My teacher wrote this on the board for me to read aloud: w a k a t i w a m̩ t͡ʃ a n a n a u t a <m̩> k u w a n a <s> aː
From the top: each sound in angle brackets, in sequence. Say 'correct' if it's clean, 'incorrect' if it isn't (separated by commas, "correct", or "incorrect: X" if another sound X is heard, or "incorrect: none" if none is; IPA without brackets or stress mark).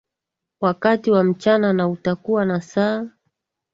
incorrect: none, correct